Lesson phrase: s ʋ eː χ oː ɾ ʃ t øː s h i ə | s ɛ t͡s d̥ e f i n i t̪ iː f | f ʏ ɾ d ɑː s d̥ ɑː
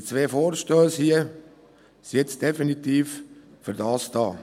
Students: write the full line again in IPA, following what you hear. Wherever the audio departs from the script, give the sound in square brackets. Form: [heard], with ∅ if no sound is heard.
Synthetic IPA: [t͡s] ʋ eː [f] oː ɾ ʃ t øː s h i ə | s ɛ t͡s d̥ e f i n i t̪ iː f | f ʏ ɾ d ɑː s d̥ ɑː